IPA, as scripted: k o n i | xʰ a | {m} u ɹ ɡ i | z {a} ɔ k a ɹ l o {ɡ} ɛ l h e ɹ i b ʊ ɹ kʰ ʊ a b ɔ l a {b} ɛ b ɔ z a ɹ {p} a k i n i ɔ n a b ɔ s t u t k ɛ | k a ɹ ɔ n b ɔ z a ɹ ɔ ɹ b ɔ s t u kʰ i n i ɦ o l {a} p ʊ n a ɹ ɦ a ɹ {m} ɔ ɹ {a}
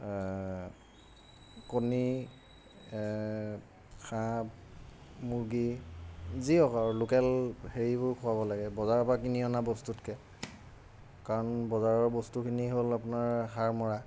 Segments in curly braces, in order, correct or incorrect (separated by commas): correct, incorrect, incorrect, incorrect, correct, correct, correct, correct